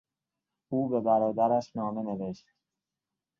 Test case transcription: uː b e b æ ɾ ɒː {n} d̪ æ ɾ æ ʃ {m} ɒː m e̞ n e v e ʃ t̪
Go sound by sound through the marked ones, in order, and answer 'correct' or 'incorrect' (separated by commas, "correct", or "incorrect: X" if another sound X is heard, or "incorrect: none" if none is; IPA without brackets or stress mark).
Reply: incorrect: none, incorrect: n